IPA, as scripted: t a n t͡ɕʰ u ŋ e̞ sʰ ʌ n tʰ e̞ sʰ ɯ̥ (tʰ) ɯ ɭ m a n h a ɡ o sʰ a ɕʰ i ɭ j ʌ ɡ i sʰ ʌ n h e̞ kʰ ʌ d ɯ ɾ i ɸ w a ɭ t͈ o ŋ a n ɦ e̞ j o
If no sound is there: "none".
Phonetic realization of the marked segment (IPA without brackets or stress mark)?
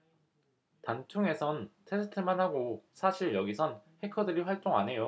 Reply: tʰ